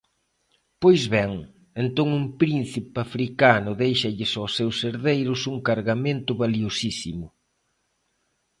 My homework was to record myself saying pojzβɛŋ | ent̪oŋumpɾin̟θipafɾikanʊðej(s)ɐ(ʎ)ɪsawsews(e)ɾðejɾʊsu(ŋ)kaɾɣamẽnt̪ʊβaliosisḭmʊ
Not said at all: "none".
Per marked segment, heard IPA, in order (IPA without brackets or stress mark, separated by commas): ʃ, ʎ, e, ŋ